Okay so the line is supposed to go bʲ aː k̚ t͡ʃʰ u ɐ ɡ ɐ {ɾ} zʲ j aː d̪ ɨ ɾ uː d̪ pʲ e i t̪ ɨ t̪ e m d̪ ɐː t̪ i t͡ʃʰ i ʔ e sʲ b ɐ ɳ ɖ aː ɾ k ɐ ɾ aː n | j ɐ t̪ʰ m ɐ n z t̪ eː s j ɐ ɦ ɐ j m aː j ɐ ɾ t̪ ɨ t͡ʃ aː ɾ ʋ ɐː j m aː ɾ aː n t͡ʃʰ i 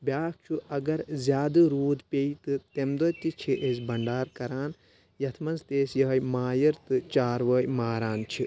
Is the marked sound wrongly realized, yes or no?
no